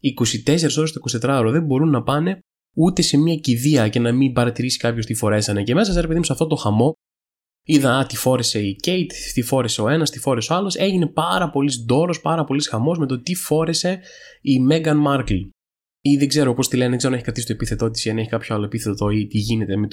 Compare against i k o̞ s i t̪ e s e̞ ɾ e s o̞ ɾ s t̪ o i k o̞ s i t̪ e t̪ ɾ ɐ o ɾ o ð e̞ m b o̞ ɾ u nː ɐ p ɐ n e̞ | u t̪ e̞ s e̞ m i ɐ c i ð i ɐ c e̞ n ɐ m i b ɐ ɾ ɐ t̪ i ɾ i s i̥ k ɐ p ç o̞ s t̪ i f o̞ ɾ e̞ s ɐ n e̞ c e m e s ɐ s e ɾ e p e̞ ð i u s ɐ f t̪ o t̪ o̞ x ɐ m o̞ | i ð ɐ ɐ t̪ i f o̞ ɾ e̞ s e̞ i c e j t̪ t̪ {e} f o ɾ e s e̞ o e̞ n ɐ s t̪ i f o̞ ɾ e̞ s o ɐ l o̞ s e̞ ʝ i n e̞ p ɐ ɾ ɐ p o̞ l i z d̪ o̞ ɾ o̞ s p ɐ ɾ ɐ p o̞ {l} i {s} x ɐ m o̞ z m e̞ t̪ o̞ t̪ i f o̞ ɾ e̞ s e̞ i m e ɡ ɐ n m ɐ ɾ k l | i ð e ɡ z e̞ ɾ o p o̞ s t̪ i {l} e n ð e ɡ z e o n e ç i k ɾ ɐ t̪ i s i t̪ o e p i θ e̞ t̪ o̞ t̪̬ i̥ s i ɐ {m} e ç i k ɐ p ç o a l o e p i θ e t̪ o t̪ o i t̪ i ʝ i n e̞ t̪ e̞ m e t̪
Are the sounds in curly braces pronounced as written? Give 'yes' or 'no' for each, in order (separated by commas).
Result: no, yes, yes, yes, no